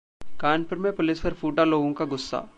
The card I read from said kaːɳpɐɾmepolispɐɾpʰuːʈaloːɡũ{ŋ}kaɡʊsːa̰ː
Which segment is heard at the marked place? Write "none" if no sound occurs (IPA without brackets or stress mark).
ŋ